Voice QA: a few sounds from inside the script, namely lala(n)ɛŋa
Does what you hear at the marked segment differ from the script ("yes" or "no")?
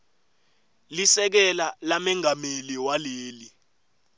yes